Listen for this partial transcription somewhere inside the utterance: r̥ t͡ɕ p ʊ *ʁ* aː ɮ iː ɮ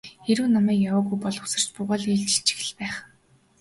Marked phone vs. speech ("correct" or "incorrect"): correct